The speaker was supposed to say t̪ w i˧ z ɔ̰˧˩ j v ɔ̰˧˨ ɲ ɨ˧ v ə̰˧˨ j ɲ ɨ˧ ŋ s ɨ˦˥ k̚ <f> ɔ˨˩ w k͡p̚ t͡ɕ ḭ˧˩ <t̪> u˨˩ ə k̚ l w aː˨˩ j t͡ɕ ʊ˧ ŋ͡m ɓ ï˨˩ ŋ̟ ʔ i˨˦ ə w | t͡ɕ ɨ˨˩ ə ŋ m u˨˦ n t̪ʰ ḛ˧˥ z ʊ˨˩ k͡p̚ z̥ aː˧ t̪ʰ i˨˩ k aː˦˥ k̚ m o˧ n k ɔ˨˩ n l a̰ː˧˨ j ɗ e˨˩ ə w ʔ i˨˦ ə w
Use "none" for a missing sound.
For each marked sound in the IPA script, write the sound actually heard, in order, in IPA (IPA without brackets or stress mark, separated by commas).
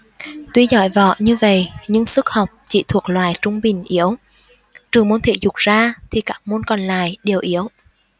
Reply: h, t̪ʰ